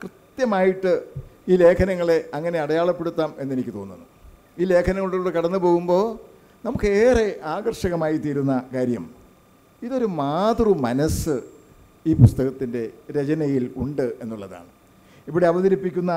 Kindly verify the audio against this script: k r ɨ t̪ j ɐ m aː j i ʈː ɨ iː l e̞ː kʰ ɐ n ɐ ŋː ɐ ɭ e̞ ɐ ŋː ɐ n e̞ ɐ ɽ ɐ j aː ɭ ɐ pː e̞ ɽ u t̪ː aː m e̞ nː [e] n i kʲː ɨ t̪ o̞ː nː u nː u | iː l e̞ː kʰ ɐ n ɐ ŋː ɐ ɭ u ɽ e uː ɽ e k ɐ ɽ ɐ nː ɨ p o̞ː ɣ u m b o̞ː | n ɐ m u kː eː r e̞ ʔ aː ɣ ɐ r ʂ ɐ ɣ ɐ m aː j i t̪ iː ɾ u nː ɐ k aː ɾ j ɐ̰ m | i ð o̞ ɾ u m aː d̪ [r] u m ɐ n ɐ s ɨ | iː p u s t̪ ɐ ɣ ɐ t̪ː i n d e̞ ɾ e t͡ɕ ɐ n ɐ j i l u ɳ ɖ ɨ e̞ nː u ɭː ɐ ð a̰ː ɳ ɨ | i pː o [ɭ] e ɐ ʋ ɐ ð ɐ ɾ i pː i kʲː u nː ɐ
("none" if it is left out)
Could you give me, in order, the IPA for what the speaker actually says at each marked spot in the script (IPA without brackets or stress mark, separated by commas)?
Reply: e, r, ɽ